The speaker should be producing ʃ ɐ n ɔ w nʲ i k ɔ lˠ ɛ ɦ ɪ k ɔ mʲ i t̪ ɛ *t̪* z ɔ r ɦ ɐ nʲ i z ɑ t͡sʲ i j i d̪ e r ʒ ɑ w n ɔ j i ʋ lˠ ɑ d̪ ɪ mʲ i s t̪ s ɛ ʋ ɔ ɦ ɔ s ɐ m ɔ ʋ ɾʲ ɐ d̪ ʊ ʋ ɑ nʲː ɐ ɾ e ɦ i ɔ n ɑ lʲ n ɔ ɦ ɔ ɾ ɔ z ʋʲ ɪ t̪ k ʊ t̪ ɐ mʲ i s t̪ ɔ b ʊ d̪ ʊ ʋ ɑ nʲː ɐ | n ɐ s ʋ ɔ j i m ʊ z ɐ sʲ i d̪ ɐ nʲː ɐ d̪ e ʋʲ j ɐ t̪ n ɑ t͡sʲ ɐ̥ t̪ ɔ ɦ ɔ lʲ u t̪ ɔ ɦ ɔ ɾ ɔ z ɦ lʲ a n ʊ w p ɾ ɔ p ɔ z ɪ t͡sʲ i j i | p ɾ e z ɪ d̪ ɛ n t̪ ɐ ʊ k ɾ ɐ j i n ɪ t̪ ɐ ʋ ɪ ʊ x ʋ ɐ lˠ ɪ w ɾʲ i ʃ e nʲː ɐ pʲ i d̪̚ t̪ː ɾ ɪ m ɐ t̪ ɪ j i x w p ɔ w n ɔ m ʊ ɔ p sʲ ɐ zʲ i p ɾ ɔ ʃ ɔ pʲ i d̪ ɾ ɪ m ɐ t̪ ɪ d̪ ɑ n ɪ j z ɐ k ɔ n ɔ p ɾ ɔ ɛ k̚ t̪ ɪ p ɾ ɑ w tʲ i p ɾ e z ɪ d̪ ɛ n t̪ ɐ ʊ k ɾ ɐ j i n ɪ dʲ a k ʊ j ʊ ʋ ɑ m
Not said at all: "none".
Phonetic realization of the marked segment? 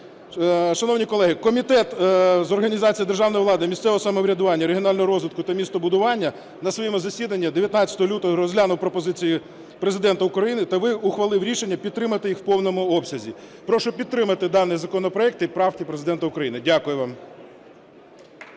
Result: t̪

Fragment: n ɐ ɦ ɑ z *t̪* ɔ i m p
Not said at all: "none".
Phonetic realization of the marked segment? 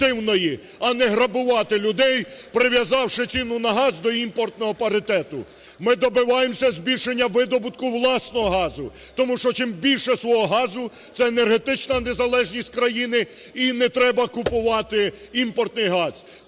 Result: d̪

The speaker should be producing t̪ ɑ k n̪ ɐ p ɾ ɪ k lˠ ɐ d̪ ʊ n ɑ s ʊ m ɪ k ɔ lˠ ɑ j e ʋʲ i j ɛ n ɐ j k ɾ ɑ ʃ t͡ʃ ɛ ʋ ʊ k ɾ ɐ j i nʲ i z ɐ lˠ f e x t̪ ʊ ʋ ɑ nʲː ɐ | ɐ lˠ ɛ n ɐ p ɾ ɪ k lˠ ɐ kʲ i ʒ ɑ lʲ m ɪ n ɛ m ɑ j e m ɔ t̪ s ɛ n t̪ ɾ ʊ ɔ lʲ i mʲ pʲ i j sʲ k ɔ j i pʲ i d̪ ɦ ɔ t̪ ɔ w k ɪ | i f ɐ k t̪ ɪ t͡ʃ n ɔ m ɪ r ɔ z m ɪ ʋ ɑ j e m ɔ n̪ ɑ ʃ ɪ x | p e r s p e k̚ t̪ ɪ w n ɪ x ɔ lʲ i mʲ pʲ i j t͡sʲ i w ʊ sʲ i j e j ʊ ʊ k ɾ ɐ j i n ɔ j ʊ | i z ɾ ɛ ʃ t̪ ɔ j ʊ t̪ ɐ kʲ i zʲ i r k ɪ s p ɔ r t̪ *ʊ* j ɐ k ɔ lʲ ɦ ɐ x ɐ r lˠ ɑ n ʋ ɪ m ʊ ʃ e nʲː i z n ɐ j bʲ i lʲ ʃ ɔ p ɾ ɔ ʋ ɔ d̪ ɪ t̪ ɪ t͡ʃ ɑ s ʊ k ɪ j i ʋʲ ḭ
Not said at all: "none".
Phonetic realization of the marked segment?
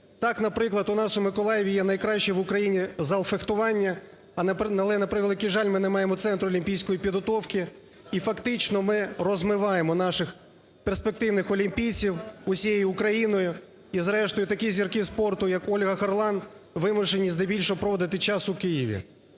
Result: ʊ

